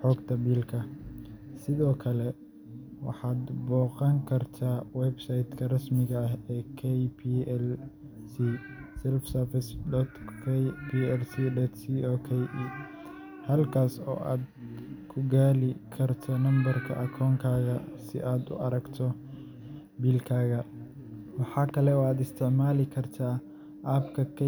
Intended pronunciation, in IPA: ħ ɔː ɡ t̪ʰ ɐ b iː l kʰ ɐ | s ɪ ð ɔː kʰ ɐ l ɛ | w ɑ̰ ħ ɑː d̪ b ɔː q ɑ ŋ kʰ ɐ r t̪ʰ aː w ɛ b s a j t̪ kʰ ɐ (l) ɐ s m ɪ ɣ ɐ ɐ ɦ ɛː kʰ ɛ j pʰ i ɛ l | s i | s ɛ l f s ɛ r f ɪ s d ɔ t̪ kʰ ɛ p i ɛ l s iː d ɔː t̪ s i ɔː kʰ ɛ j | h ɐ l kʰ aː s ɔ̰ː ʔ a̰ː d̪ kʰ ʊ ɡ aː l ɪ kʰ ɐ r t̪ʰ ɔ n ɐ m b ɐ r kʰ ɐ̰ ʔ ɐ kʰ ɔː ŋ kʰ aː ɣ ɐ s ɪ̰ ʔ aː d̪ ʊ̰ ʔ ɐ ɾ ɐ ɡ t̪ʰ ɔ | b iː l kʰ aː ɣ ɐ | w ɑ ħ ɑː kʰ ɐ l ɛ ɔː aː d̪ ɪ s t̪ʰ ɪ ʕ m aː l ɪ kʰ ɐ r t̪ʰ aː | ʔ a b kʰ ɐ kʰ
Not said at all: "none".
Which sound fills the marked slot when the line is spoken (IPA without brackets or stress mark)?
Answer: r